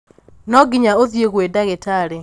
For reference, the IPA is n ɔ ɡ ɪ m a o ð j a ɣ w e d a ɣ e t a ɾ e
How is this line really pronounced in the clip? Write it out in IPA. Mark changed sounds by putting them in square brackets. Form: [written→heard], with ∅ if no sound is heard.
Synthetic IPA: n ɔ ɡ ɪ [m→ɲ] a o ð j [a→e] ɣ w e d a ɣ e t a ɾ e